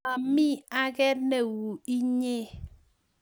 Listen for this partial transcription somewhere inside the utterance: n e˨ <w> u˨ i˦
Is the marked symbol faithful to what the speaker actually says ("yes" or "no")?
yes